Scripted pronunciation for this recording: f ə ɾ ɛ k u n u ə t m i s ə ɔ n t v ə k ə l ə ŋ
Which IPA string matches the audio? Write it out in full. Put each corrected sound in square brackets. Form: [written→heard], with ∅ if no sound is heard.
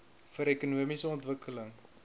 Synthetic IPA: f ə ɾ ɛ k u n u ə [t→∅] m i s ə ɔ n t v ə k ə l ə ŋ

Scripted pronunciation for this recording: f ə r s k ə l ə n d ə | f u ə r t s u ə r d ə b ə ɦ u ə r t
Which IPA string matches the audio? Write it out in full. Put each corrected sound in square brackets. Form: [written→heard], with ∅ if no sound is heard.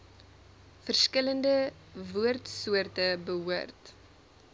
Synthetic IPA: f ə r s k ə l ə n d ə | [f→v] u ə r t s u ə r [d→t] ə b ə ɦ u ə r t

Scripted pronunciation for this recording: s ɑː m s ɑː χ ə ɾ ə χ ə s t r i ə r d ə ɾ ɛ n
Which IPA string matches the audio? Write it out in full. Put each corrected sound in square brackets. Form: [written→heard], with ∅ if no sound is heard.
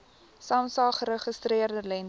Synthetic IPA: s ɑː m s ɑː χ ə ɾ ə χ ə s t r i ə r d ə [ɾ→l] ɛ n

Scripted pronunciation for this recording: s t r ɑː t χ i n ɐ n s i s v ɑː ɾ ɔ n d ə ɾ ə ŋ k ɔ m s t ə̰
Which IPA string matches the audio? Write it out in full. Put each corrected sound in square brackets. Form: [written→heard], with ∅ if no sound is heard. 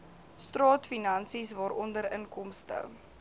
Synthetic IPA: s t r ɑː t [χ→f] i n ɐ n s i s v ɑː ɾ ɔ n d ə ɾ ə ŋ k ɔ m s t ə̰

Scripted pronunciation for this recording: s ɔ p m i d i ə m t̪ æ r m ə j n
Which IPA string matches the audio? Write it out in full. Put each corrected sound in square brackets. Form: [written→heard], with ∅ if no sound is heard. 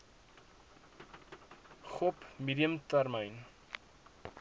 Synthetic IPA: [s→χ] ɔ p m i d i ə m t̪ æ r m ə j n

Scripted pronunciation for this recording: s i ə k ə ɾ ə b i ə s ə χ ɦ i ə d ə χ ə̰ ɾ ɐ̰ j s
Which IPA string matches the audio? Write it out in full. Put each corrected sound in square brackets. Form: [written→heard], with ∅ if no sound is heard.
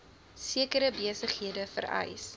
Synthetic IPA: s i ə k ə ɾ ə b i ə s ə χ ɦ i ə d ə [χ→f] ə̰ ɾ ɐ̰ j s

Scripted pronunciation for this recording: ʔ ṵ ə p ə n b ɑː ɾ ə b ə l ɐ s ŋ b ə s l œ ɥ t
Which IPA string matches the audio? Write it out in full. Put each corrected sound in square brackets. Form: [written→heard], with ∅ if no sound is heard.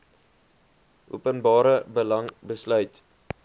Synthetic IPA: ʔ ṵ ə p ə n b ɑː ɾ ə b ə l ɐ [s→∅] ŋ b ə s l œ ɥ t

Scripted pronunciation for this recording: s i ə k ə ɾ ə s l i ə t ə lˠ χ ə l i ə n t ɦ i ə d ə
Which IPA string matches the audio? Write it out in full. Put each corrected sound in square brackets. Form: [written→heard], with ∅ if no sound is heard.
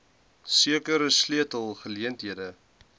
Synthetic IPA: s i ə k ə ɾ ə s l i ə t ə lˠ χ ə l i ə n t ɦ i ə d ə

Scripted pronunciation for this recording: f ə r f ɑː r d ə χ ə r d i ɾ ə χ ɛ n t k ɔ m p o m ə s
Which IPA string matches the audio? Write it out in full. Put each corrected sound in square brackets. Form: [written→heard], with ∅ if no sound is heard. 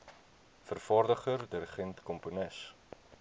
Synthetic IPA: f ə r f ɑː r d ə χ ə r d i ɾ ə χ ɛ n t k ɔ m p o [m→n] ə s

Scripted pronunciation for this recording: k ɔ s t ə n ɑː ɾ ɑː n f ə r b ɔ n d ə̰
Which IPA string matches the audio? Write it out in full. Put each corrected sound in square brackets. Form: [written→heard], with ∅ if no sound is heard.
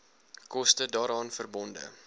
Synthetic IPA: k ɔ s t ə [n→d] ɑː ɾ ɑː n f ə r b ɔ n d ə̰

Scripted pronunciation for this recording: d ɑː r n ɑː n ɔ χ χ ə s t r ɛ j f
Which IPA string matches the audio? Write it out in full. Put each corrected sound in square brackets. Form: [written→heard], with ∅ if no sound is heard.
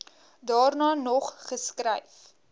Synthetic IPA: d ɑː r n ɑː n ɔ χ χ ə s [t→k] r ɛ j f

